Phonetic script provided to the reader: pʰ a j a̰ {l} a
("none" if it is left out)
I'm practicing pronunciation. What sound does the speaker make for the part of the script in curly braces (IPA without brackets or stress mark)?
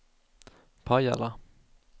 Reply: l